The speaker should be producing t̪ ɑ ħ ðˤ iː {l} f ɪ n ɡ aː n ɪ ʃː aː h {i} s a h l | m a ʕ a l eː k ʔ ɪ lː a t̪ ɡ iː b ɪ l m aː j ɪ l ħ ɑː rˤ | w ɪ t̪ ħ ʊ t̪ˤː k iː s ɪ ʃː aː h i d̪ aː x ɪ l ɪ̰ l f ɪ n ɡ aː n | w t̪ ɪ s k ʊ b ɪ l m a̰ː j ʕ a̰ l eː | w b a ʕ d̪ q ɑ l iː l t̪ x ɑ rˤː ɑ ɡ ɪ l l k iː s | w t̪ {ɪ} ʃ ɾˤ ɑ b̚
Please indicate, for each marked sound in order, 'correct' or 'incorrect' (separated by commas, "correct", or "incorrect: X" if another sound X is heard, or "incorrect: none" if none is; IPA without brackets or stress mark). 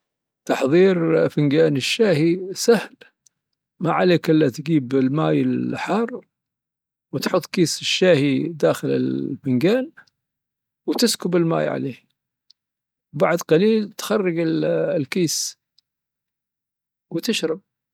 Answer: incorrect: ɾ, correct, correct